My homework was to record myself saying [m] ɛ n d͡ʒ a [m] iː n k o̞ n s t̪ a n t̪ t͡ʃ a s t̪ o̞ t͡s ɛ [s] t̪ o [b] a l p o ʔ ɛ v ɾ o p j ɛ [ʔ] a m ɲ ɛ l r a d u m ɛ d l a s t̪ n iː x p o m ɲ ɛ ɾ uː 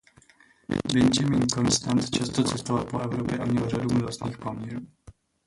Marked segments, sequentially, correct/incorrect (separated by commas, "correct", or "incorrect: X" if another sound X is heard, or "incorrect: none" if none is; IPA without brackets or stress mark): incorrect: b, correct, correct, incorrect: v, correct